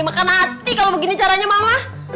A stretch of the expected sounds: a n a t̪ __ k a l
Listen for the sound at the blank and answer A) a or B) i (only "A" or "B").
B